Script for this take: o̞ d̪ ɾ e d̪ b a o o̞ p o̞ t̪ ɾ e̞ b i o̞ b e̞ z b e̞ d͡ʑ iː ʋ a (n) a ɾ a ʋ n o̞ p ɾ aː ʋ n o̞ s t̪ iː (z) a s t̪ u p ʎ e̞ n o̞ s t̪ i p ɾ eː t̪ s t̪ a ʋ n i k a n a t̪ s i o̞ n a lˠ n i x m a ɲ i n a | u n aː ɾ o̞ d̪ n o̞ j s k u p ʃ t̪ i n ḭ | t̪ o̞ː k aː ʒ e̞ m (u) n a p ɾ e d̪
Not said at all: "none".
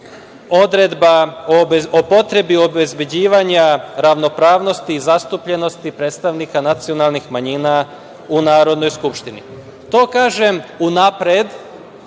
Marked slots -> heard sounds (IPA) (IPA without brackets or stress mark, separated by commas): ɲ, z, u